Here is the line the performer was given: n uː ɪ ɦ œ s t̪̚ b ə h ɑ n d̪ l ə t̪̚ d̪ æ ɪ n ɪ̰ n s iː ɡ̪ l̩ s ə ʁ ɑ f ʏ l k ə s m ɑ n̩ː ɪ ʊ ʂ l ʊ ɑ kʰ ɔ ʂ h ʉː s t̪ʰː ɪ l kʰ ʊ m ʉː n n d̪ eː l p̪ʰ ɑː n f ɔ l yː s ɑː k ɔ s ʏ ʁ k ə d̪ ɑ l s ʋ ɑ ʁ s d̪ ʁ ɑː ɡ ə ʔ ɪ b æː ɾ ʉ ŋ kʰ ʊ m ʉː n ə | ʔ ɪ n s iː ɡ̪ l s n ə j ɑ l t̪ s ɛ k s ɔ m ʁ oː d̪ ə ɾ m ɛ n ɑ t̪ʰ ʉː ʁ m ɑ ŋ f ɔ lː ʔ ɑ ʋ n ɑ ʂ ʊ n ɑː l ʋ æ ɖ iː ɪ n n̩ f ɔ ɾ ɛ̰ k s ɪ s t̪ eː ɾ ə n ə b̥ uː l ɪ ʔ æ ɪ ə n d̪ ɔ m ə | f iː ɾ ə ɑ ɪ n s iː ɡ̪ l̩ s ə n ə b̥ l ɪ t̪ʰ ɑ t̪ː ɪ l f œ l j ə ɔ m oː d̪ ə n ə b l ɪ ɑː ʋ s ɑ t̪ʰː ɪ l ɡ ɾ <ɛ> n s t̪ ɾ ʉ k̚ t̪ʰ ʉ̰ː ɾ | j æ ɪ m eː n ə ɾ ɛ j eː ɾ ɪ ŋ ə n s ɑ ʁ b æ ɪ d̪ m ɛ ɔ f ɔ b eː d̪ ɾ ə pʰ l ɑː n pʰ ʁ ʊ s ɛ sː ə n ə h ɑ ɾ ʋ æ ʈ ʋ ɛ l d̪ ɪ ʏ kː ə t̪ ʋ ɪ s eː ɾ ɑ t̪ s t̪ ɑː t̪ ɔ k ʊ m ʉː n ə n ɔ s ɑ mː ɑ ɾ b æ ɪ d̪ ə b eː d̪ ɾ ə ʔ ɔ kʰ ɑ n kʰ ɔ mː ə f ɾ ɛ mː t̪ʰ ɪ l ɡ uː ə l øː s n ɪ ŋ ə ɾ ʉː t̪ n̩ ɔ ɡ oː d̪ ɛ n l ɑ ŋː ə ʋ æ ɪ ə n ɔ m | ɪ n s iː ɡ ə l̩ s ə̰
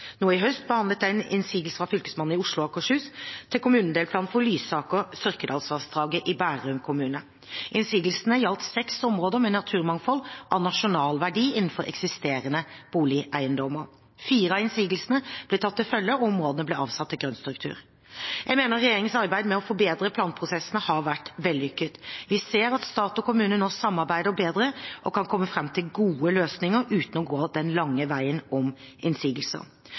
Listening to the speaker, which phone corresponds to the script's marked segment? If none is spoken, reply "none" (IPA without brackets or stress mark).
œ